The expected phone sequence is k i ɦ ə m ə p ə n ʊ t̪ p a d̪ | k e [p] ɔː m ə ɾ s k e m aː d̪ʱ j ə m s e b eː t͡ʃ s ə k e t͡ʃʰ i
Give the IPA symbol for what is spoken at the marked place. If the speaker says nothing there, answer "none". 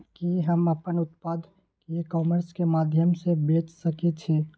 k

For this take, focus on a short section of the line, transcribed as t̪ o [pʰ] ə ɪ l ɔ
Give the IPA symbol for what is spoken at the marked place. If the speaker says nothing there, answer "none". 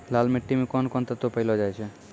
p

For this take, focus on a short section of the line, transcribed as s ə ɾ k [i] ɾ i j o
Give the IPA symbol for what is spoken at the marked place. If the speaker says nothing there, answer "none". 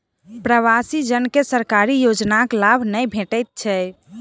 a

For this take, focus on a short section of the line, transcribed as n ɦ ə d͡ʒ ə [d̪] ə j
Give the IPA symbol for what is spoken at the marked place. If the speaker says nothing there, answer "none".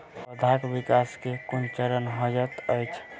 t̪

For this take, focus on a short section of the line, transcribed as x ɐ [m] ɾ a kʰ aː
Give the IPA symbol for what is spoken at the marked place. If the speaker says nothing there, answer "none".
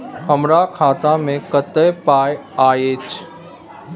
m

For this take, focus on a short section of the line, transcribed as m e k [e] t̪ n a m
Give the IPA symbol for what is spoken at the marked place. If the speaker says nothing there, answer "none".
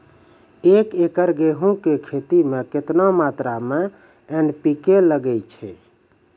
e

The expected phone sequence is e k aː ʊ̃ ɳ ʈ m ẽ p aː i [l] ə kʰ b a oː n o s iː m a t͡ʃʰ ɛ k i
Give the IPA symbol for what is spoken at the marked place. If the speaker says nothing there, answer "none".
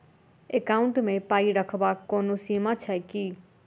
ɾ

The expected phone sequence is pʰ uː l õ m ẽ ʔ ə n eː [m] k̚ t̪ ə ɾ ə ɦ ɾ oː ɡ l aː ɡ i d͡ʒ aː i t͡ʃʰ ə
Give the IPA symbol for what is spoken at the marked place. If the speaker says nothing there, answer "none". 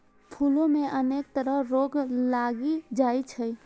none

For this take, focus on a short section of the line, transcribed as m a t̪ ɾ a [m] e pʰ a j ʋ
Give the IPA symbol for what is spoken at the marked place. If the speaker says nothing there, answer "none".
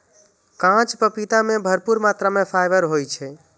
m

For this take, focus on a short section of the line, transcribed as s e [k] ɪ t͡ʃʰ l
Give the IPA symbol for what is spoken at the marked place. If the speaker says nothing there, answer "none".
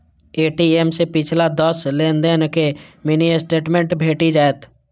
p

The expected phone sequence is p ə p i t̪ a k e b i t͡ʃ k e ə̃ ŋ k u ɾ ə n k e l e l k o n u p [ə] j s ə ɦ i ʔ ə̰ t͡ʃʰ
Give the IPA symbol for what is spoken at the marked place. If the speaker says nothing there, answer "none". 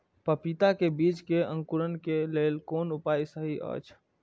a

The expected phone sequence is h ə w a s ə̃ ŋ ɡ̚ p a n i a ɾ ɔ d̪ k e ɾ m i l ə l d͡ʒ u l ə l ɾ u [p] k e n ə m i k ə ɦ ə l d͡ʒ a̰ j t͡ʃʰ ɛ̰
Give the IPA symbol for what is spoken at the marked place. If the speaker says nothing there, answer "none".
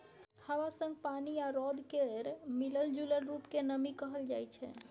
p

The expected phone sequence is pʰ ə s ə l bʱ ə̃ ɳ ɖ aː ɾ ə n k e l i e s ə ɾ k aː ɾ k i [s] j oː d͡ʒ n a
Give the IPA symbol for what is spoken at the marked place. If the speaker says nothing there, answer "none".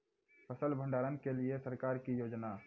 none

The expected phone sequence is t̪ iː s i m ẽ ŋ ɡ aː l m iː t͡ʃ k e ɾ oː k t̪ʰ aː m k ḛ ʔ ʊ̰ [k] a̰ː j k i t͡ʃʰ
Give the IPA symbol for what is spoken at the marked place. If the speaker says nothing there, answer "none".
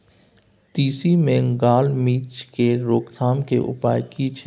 p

